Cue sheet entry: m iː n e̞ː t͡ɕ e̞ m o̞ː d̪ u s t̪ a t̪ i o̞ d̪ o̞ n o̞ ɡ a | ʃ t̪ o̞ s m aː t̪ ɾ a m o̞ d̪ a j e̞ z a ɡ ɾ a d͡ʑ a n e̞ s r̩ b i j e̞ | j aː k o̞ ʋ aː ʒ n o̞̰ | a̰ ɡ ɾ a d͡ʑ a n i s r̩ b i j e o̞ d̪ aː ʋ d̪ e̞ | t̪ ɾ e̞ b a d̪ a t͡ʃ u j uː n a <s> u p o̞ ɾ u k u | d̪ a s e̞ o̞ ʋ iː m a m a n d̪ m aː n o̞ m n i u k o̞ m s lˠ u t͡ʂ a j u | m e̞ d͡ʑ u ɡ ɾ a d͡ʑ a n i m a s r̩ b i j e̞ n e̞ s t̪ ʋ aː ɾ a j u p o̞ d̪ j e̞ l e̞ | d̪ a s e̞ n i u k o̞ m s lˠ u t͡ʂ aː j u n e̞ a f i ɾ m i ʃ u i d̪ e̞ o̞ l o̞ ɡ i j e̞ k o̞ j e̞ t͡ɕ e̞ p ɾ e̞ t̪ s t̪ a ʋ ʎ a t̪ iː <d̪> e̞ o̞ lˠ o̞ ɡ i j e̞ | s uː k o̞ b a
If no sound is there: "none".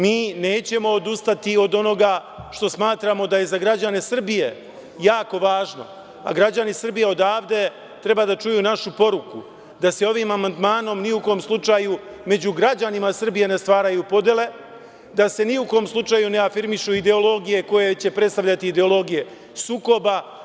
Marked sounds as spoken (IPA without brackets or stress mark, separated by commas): ʃ, d̪